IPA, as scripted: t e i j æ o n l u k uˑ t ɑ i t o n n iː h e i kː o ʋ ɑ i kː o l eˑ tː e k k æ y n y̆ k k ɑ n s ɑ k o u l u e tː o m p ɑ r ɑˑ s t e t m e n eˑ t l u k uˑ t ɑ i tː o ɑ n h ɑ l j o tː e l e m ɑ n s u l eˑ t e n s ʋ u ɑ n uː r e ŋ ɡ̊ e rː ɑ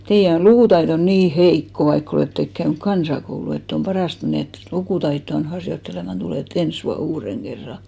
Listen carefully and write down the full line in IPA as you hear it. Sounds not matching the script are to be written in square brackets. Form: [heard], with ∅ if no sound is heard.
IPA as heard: t e i j æ o n l u k uˑ t ɑ i t o n n iː h e i kː o ʋ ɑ i kː o l eˑ tː e k k æ y n y̆ k k ɑ n s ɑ k o u l u e tː o m p ɑ r ɑˑ s t e t m e n eˑ t l u k uˑ t ɑ i tː o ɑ n h ɑ [r] j o tː e l e m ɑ n [t] u l eˑ t e n s ʋ u ɑ n uː r e ŋ ɡ̊ e rː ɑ